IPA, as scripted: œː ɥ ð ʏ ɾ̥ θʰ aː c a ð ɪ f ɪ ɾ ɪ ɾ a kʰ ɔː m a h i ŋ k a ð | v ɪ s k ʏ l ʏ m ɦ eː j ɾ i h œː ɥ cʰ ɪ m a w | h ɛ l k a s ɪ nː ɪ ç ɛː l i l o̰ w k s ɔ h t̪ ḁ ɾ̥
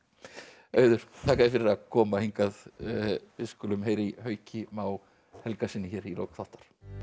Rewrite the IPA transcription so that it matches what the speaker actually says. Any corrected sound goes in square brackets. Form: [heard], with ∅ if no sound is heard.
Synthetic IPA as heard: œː ɥ ð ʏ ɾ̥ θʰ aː [k] a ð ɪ f ɪ ɾ ɪ ɾ a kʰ ɔː m a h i ŋ k a ð | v ɪ s k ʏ l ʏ m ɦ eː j ɾ i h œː ɥ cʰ ɪ m a w | h ɛ l k a s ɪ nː ɪ ç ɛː [ɾ] i l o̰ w k [θ] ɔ h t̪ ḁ ɾ̥